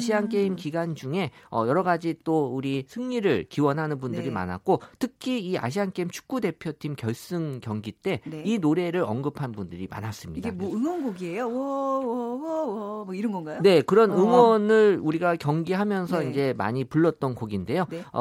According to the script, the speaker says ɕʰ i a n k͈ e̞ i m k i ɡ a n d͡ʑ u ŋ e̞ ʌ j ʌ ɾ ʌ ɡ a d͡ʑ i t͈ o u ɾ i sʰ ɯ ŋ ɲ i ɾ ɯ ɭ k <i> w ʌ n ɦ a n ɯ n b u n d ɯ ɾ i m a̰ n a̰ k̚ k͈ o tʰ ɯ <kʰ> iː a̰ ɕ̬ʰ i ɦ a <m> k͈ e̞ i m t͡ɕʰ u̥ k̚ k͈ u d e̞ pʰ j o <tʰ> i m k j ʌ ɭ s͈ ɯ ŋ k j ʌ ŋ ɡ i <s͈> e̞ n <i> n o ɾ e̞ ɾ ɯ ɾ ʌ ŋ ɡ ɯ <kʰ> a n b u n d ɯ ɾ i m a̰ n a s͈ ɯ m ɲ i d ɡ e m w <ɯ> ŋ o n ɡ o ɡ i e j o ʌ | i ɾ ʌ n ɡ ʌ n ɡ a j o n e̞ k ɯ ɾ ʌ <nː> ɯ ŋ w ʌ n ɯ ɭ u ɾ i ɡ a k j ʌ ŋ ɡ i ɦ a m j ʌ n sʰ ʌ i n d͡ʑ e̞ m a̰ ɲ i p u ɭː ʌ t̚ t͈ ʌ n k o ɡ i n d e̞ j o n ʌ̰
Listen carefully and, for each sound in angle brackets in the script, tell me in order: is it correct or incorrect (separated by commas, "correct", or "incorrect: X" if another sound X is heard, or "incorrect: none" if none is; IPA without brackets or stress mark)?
correct, correct, incorrect: n, correct, incorrect: t͈, correct, incorrect: pʰ, correct, incorrect: n